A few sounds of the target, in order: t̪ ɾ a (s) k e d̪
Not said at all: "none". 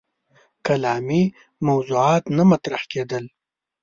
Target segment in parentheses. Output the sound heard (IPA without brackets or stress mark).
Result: h